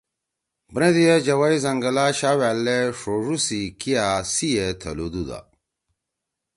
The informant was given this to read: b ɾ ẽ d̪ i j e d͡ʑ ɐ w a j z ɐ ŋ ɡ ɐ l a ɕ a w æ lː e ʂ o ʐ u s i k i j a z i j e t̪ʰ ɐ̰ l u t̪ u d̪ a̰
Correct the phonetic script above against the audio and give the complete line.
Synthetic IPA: b ɾ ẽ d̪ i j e d͡ʑ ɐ w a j z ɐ ŋ ɡ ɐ l a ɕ a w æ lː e ʂ o ʐ u s i k i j a s i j e t̪ʰ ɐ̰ l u d̪ u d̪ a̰